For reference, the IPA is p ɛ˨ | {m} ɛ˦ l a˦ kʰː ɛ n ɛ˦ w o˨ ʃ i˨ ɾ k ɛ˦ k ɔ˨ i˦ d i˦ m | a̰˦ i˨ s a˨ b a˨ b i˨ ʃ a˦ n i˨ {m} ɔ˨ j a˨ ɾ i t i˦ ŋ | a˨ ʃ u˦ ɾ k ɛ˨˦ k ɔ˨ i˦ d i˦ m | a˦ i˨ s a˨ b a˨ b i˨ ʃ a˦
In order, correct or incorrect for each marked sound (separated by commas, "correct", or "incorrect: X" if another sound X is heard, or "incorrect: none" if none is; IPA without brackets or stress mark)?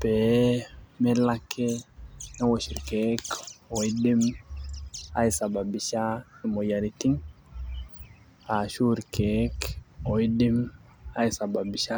correct, correct